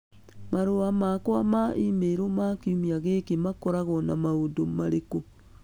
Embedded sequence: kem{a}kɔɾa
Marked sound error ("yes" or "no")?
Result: no